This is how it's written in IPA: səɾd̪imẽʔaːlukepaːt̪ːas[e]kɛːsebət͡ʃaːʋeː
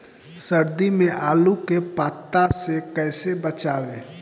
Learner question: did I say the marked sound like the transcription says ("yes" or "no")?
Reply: yes